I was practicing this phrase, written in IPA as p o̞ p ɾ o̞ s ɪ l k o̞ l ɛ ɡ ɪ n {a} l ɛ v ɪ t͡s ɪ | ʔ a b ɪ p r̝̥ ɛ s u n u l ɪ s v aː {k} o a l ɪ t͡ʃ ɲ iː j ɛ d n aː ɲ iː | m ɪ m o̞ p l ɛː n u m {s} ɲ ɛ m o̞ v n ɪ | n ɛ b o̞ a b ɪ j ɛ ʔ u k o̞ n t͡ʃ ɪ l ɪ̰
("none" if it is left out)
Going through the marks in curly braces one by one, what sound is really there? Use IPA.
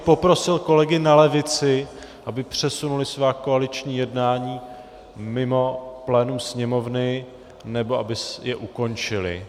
a, k, s

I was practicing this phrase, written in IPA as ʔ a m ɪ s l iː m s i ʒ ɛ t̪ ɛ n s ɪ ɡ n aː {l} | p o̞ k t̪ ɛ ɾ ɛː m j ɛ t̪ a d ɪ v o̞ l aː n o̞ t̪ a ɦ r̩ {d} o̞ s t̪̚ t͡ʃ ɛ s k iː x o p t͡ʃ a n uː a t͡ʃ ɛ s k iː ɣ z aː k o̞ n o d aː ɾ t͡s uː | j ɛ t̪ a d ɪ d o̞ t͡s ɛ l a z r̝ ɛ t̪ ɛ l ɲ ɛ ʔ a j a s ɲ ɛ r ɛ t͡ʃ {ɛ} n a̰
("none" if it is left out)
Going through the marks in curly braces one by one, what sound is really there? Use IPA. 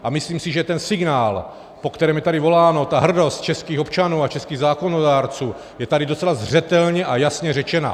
l, d, ɛ

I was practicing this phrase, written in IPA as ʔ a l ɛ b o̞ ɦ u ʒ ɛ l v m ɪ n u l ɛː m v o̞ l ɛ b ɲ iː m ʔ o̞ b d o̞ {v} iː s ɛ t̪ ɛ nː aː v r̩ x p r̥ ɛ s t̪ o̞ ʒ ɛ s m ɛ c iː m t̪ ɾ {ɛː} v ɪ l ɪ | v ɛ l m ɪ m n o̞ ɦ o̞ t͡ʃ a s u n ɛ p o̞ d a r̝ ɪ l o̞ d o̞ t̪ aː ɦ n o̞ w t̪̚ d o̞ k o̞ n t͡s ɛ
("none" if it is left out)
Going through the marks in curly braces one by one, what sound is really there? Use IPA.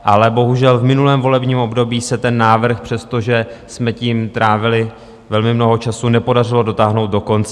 b, aː

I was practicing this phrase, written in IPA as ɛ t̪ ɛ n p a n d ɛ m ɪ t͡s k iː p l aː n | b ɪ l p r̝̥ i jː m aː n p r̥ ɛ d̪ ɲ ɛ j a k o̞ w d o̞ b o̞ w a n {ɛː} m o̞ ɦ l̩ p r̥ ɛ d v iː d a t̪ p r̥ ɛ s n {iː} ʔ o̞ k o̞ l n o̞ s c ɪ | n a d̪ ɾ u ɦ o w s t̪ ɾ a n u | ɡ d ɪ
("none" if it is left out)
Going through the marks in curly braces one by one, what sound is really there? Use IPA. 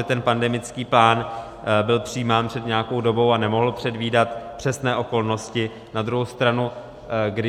ɛ, ɛː

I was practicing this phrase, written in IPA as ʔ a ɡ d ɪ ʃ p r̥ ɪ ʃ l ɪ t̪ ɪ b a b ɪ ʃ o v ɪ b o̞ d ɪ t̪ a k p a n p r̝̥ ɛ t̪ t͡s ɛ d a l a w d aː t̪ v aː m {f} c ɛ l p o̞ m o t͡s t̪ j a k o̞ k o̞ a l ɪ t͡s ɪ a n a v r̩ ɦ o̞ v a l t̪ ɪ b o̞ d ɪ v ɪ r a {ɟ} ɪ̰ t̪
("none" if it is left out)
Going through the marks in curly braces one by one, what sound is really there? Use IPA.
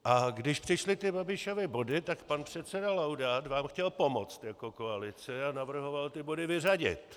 x, ɟ

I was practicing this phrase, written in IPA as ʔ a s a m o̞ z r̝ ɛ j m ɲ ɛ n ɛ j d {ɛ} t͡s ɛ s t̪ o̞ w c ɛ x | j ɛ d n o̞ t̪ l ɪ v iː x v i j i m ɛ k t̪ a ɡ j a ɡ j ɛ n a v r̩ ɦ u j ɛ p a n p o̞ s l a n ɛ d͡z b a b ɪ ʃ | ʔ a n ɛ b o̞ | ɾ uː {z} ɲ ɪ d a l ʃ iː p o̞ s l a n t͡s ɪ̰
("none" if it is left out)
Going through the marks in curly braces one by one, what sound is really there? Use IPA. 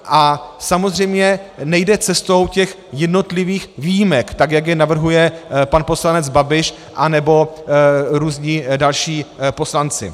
ɛ, z

